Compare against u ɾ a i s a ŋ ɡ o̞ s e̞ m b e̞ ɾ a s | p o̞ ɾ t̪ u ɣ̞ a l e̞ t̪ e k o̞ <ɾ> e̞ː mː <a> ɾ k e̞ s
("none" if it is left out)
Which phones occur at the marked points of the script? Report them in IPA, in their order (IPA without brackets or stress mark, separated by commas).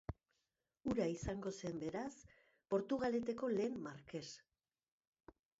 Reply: l, a